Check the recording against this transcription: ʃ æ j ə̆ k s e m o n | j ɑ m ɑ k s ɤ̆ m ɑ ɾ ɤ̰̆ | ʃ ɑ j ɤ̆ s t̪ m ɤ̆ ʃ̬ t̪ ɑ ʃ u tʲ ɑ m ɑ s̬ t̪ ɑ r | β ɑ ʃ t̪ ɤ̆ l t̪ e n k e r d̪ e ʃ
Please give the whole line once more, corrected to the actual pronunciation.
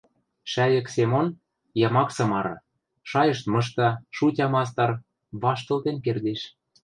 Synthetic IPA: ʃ æ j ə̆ k s e m o n | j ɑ m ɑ k s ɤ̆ m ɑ ɾ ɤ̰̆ | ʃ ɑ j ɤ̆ ʃ t̪ m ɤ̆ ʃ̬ t̪ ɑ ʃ u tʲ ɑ m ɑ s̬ t̪ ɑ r | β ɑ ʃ t̪ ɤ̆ l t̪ e n k e r d̪ e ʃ